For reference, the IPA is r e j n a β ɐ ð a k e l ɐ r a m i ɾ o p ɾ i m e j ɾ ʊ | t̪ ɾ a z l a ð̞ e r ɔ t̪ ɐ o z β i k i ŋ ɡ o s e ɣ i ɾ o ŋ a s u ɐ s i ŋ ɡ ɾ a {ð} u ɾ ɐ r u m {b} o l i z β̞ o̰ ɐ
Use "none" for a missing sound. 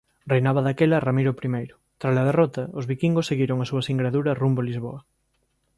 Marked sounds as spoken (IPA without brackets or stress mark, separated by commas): ð, b